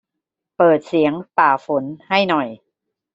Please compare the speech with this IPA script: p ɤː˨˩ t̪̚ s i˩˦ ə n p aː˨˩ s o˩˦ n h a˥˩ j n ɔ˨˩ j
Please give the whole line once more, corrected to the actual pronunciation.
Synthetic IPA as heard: p ɤː˨˩ t̪̚ s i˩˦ ə ŋ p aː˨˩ f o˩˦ n h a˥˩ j n ɔ˨˩ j